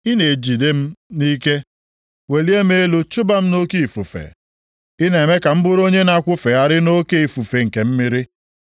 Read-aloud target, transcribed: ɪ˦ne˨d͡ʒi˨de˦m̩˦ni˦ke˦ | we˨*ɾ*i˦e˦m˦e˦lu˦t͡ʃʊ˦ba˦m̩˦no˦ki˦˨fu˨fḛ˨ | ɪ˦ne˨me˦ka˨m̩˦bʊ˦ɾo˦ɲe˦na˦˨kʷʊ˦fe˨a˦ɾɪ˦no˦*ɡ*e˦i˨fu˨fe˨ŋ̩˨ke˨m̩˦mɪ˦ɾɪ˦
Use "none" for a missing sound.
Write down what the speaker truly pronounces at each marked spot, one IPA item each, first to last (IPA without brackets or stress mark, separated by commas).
l, k